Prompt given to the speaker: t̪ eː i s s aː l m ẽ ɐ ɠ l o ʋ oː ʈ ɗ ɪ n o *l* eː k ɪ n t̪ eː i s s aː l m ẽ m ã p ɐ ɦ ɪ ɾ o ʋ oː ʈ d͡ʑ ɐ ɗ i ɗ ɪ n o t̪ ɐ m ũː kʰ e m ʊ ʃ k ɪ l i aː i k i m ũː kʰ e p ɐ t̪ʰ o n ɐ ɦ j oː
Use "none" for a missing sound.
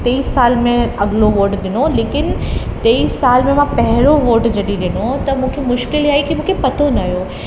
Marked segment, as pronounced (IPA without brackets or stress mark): l